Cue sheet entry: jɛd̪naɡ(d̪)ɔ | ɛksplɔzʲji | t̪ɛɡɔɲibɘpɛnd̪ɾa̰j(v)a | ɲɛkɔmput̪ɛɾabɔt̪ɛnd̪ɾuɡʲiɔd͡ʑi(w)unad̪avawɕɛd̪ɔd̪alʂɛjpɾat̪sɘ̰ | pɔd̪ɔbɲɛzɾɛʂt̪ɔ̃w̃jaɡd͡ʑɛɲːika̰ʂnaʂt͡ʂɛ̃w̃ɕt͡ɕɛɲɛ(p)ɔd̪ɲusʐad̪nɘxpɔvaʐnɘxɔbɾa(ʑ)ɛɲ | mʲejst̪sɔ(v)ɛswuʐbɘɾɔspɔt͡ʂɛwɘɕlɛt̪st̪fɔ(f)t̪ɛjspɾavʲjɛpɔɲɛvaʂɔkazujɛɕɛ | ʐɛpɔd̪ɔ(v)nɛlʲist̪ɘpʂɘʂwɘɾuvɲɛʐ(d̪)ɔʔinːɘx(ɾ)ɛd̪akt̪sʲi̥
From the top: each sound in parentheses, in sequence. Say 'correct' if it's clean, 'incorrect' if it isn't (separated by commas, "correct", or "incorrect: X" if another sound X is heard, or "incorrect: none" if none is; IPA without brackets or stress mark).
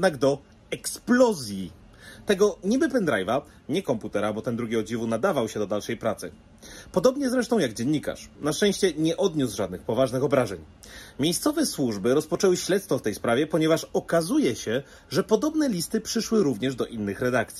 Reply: correct, correct, incorrect: v, incorrect: ʔ, incorrect: ʐ, correct, correct, incorrect: b, correct, correct